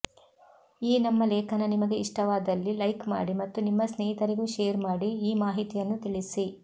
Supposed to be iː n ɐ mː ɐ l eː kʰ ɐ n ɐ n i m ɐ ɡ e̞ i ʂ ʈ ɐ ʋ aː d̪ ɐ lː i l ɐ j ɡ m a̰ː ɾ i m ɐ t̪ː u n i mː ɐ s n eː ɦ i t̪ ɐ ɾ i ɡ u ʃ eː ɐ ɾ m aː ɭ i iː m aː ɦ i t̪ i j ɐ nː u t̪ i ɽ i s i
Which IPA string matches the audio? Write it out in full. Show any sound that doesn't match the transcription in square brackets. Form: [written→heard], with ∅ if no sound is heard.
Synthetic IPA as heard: iː n ɐ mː ɐ l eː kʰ ɐ n ɐ n i m ɐ ɡ e̞ i ʂ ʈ ɐ ʋ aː d̪ ɐ lː i l ɐ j [ɡ→k] m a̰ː [ɾ→ɽ] i m ɐ t̪ː u n i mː ɐ s n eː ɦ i t̪ ɐ ɾ i ɡ u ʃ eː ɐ ɾ m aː [ɭ→ɽ] i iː m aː ɦ i t̪ i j ɐ nː u t̪ i [ɽ→ɭ] i s i